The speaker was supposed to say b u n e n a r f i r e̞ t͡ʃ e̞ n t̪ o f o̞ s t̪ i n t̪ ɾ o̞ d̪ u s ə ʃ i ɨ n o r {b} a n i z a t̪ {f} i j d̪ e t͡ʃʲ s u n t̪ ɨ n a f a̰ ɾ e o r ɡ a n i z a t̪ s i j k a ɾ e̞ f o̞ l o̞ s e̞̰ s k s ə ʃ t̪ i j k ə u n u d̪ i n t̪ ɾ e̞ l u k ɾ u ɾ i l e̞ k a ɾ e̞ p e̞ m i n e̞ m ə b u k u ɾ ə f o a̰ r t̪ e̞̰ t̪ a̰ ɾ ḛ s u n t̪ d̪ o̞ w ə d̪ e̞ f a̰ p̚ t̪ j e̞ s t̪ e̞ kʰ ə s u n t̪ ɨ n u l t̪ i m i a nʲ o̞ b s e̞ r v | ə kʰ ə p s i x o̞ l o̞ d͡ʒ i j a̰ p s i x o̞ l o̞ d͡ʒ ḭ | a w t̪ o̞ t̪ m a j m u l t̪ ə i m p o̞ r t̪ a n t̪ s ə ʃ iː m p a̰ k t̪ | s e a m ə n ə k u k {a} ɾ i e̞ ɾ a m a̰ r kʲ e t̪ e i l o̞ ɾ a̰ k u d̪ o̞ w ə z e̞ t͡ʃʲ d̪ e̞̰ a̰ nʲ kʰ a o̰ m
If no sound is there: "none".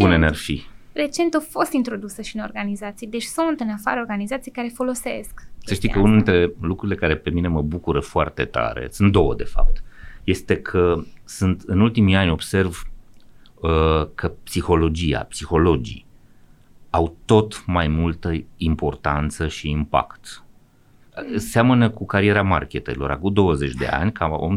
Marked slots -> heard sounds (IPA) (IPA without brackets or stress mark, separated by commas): ɡ, s, a